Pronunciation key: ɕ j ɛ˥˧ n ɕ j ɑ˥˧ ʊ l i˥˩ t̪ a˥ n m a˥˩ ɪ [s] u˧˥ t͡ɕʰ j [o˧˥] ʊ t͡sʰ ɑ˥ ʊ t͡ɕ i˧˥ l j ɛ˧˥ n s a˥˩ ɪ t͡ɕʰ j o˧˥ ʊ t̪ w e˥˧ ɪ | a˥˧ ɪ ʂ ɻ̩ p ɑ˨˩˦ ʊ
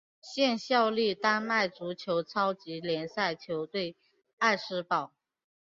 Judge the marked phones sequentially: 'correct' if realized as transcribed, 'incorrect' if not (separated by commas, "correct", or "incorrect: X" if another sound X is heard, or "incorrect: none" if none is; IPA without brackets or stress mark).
incorrect: t͡s, correct